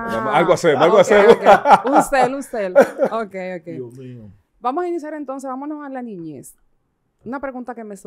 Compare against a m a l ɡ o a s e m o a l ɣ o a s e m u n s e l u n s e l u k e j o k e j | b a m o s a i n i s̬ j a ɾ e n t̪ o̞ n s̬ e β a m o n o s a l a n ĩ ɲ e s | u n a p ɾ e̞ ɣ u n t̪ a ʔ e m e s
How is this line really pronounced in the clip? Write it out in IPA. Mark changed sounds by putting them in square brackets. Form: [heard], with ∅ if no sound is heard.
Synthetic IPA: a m a l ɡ o a s e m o a l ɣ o a s e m u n s e l u n s e l [o] k e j o k e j | b a m o s a i n i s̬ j a ɾ e n t̪ o̞ n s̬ e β a m o n o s a l a n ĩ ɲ e s | u n a p ɾ e̞ ɣ u n t̪ a [k] e m e s